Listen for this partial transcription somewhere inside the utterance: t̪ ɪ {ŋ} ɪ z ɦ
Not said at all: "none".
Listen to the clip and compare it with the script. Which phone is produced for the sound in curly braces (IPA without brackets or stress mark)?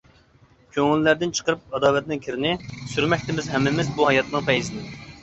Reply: m